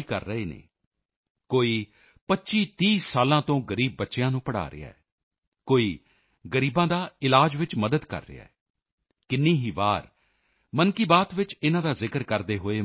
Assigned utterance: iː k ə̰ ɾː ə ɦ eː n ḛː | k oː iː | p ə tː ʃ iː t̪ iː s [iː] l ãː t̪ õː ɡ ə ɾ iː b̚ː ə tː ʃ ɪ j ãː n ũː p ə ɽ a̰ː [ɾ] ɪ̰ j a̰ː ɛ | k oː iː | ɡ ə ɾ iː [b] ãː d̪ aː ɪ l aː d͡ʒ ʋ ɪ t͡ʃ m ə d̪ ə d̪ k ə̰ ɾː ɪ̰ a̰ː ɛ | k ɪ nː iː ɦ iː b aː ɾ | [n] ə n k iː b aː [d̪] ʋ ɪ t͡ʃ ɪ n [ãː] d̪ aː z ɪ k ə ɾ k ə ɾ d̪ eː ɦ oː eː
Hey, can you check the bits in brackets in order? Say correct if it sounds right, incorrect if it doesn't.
incorrect: aː, correct, correct, incorrect: m, incorrect: t̪, correct

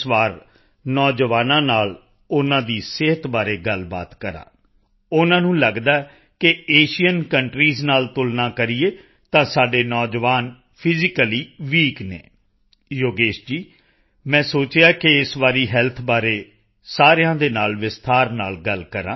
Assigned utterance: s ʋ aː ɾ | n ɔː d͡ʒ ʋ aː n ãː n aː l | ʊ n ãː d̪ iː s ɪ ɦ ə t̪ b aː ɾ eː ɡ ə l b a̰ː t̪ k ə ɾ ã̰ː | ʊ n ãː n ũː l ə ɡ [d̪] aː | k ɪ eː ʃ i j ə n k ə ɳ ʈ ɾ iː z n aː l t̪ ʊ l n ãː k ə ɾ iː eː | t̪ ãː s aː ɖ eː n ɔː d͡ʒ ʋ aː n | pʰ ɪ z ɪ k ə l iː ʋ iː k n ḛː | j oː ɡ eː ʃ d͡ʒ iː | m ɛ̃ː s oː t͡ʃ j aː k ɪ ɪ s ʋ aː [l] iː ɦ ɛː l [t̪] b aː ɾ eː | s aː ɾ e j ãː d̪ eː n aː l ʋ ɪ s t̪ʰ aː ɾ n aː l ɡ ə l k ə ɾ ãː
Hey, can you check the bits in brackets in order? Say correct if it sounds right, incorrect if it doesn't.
correct, incorrect: ɾ, incorrect: t̪ʰ

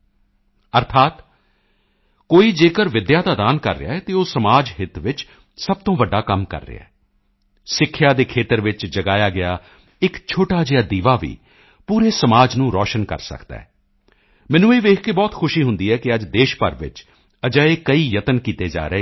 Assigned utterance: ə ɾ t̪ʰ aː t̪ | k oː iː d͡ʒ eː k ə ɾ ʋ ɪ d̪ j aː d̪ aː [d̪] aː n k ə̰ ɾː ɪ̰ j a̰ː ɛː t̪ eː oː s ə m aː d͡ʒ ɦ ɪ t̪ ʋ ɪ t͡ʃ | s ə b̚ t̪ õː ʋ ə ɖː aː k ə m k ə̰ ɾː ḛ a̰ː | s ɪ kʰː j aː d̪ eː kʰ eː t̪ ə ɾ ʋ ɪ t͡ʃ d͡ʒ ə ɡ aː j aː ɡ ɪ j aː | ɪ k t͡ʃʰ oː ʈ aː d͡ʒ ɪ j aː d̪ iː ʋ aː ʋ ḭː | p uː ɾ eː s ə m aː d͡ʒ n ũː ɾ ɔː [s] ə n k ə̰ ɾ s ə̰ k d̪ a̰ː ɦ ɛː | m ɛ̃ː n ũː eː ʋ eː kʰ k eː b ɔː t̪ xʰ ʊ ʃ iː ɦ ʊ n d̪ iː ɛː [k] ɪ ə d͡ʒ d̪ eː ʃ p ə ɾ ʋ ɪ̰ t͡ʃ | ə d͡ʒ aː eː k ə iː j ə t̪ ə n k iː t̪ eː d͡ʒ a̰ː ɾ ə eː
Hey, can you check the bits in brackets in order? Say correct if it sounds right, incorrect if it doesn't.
correct, incorrect: ʃ, correct

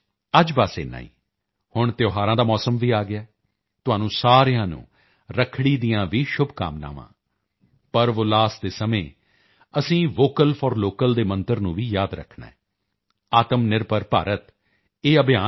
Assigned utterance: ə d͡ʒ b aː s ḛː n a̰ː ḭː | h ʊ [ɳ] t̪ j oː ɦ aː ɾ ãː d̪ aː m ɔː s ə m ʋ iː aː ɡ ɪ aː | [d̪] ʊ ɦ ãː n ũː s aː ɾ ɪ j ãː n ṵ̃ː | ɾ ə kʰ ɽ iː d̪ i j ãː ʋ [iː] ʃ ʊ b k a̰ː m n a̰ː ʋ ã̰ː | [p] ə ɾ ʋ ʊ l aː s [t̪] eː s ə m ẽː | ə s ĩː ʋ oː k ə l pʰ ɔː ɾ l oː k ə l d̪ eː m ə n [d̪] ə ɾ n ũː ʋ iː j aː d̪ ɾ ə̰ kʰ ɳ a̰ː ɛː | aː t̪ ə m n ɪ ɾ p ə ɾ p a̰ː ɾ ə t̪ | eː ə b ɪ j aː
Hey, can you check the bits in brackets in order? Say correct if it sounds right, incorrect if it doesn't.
correct, incorrect: t̪, correct, correct, incorrect: d̪, incorrect: t̪

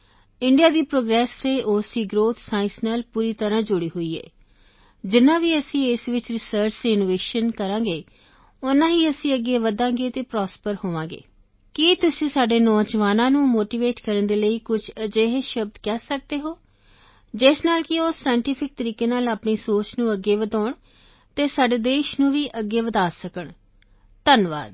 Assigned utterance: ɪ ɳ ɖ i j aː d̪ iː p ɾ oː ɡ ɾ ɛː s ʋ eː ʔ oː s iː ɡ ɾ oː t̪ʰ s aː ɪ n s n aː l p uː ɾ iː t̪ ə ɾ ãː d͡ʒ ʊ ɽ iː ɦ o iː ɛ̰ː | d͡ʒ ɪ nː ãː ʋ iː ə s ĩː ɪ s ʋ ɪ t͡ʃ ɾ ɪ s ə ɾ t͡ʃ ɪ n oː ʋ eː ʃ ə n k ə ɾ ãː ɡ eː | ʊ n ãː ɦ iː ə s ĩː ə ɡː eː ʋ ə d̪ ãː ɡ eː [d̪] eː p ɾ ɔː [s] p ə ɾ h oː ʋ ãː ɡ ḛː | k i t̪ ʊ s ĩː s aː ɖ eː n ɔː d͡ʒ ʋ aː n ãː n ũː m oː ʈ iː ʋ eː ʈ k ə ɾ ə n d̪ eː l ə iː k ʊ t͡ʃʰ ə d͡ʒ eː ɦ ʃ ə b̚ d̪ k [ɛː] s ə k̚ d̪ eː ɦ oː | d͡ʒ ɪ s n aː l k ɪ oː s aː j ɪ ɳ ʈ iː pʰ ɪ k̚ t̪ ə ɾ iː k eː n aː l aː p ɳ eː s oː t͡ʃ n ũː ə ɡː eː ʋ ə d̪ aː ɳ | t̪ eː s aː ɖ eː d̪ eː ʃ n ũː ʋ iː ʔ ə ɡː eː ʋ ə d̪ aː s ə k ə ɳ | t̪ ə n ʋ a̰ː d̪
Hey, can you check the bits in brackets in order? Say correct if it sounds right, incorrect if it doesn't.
incorrect: t̪, correct, correct

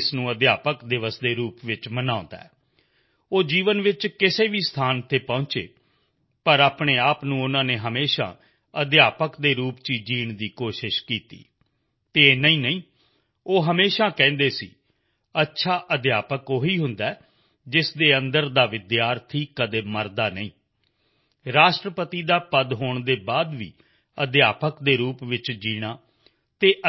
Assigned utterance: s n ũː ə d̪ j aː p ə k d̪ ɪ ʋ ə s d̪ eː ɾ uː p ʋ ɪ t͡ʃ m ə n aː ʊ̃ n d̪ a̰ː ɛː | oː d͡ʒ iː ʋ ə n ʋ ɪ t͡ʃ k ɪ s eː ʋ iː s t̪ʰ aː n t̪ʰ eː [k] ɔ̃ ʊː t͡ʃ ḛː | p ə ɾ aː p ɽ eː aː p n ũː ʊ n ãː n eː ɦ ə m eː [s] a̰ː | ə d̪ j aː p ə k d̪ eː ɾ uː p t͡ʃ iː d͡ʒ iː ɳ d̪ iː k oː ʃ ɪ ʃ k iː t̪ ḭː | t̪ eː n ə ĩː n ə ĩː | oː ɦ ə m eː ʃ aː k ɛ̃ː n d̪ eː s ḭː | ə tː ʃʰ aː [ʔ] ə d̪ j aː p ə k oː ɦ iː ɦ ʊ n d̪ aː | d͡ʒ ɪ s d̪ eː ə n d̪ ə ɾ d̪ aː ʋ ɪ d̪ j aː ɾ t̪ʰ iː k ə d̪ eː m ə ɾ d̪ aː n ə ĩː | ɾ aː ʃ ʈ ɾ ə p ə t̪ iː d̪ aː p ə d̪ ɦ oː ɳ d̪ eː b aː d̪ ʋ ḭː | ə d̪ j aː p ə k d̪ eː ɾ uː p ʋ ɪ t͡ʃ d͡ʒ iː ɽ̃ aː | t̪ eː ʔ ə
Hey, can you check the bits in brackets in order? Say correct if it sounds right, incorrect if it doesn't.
incorrect: p, incorrect: ʃ, correct

